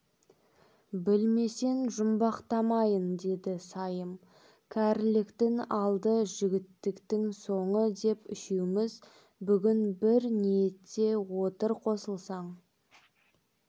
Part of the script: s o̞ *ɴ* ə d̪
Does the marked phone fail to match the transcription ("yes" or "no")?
no